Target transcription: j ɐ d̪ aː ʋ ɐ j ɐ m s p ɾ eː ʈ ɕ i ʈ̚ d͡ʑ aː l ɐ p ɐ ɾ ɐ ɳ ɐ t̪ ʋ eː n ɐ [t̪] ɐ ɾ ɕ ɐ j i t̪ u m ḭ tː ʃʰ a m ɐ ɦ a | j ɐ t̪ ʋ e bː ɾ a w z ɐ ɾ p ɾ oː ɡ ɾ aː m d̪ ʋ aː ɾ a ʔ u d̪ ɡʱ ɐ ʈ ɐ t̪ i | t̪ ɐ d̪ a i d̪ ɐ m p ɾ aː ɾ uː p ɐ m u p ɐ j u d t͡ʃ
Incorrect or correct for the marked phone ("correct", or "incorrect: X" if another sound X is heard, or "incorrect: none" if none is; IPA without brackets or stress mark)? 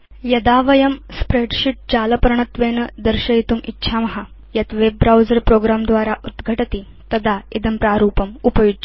incorrect: d̪